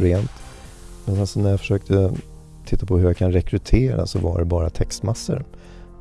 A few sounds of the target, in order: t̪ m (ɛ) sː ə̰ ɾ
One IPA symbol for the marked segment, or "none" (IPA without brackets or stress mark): a